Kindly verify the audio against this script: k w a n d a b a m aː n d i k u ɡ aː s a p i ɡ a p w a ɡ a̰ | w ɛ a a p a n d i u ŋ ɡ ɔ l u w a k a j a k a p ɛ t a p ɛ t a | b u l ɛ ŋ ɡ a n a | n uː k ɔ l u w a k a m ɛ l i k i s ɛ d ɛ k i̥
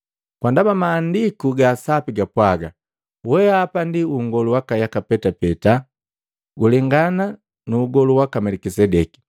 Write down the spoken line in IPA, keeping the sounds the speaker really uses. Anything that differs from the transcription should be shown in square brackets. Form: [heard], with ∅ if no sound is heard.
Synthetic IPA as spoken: k w a n d a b a m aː n d i k u ɡ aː s a p i ɡ a p w a ɡ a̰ | w ɛ a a p a n d i u ŋ ɡ ɔ l u w a k a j a k a p ɛ t a p ɛ t a | [ɡ] u l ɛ ŋ ɡ a n a | n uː [ɡ] ɔ l u w a k a m ɛ l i k i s ɛ d ɛ k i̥